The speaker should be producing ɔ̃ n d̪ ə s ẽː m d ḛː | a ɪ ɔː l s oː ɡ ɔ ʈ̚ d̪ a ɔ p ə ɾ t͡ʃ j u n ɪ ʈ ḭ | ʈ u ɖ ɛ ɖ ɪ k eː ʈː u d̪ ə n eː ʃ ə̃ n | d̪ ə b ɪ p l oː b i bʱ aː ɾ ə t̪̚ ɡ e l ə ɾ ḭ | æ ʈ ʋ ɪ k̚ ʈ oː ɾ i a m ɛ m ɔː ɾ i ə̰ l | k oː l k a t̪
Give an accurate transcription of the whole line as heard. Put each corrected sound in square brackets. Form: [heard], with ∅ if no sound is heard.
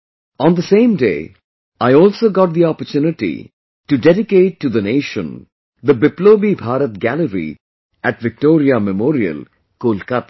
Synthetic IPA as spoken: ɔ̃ n d̪ ə s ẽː m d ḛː | a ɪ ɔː l s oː ɡ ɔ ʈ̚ d̪ [i] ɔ p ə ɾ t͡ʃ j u n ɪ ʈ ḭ | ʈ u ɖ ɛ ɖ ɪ k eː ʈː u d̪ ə n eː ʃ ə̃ n | d̪ ə b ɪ p l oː b i bʱ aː ɾ ə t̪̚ ɡ [æ] l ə ɾ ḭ | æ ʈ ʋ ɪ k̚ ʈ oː ɾ i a m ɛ m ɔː ɾ i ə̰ l | k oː l k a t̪